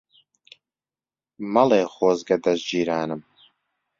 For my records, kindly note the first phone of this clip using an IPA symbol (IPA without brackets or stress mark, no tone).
m